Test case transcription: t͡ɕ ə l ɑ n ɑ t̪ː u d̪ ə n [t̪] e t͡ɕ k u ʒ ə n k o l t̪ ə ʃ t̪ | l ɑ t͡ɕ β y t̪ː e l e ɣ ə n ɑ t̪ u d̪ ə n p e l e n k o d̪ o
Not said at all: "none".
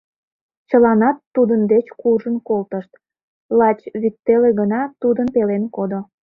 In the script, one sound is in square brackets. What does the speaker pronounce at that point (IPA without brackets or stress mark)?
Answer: d̪